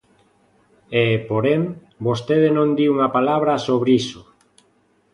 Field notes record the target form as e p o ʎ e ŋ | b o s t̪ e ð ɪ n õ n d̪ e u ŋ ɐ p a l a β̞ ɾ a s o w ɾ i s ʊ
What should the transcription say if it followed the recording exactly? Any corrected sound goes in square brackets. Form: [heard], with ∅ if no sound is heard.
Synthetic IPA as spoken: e p o [ɾ] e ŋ | b o s t̪ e ð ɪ n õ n d̪ [i] u ŋ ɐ p a l a β̞ ɾ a s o [β] ɾ i s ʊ